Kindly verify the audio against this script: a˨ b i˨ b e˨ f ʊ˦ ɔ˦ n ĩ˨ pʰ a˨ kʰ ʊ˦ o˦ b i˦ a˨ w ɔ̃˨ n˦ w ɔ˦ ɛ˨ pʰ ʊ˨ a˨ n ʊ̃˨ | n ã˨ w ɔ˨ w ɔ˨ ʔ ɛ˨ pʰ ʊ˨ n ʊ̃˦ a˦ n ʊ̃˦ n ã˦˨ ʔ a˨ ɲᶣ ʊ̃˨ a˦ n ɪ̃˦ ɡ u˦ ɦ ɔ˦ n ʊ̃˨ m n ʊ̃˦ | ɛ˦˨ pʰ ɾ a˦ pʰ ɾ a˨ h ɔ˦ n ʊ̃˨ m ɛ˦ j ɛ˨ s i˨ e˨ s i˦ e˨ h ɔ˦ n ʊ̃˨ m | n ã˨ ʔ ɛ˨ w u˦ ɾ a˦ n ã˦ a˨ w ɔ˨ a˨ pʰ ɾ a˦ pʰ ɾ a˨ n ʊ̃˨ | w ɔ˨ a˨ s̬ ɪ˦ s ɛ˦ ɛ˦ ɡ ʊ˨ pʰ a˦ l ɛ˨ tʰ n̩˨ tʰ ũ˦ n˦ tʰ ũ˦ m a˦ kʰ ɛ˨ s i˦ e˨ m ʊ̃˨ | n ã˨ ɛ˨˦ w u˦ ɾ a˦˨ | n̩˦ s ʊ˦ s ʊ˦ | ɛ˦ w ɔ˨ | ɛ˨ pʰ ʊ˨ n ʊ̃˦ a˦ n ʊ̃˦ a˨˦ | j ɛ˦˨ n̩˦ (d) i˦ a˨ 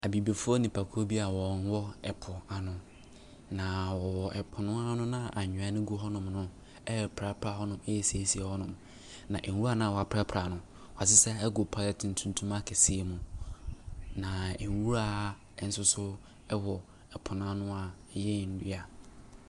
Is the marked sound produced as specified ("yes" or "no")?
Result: yes